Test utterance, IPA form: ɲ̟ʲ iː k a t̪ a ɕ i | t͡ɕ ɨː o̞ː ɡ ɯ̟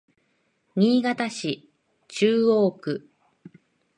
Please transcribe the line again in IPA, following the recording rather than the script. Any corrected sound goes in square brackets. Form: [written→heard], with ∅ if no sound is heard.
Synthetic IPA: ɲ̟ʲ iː [k→ɡ] a t̪ a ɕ i | t͡ɕ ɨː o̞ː [ɡ→k] ɯ̟

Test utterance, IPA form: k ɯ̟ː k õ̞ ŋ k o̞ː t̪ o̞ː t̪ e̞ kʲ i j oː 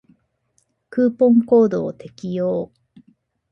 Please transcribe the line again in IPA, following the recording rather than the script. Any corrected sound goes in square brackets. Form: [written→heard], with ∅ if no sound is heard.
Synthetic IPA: k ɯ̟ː [k→p] õ̞ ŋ k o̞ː [t̪→d̪] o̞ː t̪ e̞ kʲ i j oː

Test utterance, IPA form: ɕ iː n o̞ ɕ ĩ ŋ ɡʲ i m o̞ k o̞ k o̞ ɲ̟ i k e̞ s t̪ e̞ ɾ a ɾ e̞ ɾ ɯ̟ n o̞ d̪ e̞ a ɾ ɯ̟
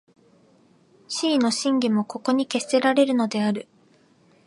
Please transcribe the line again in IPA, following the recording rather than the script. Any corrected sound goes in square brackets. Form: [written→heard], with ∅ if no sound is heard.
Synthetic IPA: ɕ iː n o̞ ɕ ĩ ŋ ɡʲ i m o̞ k o̞ k o̞ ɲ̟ i k e̞ s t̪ e̞ ɾ a ɾ e̞ ɾ ɯ̟ n o̞ d̪ e̞ a ɾ ɯ̟

